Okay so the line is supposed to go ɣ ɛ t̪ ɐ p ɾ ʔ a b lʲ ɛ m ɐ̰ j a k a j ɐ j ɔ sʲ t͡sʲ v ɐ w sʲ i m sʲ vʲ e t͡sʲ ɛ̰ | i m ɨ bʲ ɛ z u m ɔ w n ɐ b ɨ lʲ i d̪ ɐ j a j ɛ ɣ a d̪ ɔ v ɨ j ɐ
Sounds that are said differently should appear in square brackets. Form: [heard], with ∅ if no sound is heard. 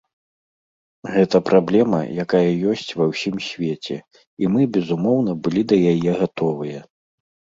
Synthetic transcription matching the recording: ɣ ɛ t̪ ɐ p ɾ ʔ a b lʲ ɛ m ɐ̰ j a k a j ɐ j ɔ sʲ t͡sʲ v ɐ w sʲ i m sʲ vʲ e t͡sʲ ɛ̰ | i m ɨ bʲ ɛ z u m ɔ w n ɐ b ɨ lʲ i d̪ ɐ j a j ɛ ɣ a [t̪] ɔ v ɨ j ɐ